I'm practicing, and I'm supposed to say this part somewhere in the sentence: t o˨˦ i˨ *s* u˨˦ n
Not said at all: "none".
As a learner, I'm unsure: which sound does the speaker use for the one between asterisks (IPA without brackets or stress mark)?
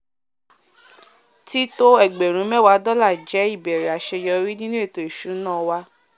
ʃ